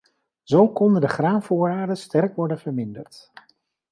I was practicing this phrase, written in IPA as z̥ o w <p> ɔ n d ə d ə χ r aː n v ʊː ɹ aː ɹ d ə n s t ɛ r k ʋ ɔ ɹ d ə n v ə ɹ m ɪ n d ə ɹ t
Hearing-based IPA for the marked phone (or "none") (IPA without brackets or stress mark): k